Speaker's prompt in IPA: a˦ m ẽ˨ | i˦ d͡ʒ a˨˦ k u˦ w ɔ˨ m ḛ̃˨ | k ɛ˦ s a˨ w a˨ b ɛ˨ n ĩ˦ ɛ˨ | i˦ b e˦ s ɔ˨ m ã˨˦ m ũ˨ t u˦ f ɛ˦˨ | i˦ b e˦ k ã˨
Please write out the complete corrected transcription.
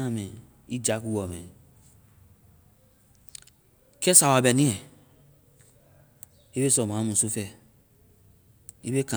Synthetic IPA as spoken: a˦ m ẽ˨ | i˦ d͡ʒ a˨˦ k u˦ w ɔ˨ m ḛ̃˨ | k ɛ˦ s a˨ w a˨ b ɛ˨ n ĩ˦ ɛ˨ | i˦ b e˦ s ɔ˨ m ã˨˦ m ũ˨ s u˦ f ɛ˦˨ | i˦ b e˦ k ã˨